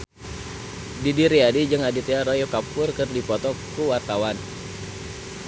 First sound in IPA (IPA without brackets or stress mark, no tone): d